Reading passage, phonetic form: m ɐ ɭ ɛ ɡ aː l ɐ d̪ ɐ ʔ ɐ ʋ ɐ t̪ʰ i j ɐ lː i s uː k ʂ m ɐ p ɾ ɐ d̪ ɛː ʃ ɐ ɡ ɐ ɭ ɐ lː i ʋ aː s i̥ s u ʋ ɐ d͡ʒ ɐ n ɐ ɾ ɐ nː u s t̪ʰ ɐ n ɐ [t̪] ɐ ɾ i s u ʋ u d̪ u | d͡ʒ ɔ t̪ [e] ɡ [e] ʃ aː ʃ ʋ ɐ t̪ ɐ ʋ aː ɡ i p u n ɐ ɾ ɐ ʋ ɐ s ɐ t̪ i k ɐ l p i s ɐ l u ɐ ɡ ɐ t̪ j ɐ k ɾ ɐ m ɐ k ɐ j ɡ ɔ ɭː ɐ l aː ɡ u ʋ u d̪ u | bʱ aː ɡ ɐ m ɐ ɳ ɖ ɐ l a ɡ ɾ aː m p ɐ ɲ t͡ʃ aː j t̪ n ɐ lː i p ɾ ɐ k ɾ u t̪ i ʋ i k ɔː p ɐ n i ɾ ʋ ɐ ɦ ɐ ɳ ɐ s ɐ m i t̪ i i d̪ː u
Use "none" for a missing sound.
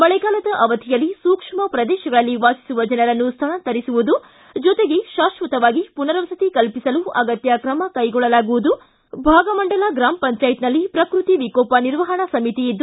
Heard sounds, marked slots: t̪, e, e

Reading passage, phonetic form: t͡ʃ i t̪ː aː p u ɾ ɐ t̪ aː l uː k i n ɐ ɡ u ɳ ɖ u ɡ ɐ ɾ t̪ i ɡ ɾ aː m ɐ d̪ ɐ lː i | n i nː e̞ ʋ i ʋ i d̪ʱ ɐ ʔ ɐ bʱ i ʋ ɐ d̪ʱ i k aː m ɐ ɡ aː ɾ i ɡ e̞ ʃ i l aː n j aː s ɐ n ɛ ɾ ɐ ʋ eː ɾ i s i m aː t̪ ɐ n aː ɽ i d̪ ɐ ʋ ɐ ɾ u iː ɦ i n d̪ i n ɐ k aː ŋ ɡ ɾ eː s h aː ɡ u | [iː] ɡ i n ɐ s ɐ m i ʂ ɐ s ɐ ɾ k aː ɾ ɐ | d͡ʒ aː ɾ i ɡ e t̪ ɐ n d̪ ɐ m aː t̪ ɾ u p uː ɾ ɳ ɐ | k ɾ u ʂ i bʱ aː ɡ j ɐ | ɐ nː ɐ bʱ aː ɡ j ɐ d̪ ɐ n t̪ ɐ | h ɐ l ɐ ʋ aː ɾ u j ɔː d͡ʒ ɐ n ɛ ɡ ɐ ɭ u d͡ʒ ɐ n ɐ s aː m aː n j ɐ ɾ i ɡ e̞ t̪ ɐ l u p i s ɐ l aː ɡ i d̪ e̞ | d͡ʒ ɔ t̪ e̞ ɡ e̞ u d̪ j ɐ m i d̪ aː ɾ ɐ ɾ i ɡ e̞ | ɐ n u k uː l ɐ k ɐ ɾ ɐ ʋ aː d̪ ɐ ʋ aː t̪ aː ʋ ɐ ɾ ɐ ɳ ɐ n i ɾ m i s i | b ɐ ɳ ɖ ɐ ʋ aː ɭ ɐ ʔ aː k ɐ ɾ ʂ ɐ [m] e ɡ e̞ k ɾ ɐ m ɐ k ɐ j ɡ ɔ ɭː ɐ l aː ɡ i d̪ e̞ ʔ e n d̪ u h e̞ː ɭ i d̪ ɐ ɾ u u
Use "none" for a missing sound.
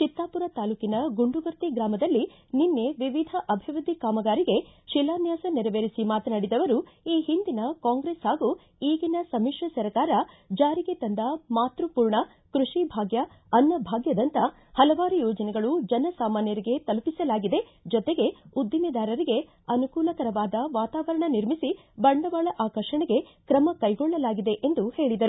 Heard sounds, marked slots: iː, ɳ

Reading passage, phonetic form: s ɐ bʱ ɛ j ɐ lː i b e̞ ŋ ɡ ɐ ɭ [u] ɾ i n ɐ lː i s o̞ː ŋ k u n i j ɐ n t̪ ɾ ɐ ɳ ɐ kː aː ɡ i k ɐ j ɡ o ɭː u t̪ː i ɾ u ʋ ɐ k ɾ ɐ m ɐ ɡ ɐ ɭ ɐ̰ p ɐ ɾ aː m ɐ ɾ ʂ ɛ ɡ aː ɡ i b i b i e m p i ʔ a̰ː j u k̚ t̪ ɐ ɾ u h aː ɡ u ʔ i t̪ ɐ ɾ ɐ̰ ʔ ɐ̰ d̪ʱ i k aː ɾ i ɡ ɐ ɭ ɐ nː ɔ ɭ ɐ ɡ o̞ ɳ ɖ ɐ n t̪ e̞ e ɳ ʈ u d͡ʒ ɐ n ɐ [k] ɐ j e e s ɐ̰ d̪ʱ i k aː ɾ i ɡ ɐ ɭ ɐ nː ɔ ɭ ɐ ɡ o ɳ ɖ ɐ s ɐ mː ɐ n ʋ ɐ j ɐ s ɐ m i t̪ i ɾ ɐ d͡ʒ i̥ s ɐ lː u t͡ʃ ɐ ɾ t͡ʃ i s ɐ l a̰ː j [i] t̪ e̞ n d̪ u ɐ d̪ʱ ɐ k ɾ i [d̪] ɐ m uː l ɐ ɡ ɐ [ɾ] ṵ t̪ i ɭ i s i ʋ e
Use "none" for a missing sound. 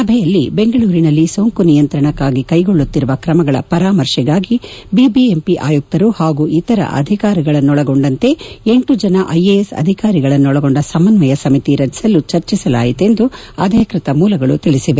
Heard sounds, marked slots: uː, ʔ, i, t̪, ɭ

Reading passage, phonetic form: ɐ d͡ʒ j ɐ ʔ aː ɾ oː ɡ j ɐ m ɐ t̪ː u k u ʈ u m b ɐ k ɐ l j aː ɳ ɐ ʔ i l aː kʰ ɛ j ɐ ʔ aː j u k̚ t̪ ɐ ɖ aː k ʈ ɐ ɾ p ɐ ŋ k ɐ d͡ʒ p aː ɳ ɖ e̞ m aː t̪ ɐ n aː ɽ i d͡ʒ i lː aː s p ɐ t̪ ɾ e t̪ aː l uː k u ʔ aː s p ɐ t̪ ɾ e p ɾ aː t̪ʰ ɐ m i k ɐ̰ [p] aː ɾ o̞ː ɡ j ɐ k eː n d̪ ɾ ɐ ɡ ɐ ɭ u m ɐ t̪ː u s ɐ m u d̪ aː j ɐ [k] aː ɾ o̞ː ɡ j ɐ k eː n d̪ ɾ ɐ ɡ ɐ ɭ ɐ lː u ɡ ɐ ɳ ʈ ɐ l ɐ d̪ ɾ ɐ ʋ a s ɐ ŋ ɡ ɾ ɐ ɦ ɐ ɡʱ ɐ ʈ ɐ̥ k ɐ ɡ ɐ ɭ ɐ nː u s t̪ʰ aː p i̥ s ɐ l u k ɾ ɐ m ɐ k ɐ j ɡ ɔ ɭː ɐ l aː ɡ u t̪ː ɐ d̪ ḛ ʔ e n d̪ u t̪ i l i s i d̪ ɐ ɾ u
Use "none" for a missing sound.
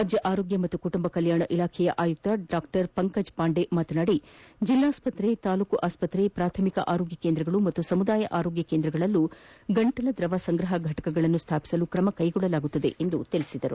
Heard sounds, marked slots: ʔ, ʔ

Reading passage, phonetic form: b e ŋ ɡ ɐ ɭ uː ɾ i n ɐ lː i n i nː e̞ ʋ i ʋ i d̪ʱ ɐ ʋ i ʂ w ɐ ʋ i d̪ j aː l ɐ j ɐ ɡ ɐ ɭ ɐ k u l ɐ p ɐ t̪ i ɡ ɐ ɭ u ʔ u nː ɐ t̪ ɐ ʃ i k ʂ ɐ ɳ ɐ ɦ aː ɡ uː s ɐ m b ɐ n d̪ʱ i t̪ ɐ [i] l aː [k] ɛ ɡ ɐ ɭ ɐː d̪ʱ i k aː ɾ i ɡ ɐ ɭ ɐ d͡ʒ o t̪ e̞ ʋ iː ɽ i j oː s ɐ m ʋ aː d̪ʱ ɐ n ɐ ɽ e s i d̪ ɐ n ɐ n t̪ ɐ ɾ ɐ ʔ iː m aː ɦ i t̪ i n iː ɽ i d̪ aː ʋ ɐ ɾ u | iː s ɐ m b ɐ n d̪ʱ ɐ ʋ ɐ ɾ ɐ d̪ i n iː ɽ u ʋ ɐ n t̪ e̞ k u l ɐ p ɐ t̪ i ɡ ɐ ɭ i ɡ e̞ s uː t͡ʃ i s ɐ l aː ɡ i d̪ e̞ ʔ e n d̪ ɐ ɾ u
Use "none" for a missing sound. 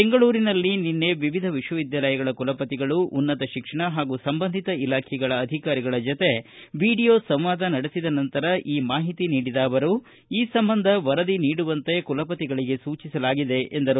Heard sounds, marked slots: i, kʰ

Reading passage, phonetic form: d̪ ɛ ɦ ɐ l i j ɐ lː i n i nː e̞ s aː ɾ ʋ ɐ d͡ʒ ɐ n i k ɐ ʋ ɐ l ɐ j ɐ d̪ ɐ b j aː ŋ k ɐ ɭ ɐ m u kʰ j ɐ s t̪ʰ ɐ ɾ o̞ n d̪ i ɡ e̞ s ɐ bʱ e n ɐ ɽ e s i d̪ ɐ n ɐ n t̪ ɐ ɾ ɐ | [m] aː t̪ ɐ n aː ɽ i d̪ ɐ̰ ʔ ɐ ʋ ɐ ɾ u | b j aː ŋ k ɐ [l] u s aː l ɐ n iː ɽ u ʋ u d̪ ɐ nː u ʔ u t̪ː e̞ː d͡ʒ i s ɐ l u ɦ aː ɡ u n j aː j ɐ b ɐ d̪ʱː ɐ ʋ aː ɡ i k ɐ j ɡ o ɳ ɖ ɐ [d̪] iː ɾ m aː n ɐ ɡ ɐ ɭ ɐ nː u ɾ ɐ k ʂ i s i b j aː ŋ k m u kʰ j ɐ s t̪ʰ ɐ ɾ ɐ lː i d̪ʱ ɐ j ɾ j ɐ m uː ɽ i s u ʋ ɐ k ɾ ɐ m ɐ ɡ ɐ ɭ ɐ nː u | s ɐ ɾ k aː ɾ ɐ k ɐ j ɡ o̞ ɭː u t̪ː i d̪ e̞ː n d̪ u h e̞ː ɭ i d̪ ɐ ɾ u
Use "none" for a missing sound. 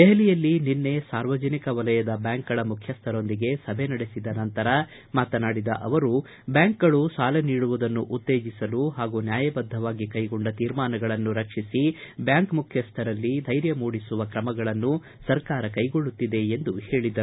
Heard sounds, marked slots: m, ɭ, t̪

